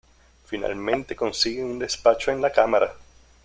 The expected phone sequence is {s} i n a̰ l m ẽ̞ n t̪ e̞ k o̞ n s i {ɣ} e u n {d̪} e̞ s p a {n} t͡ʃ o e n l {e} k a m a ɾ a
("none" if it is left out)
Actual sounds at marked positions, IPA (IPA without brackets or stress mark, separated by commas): f, ɣ, d̪, none, a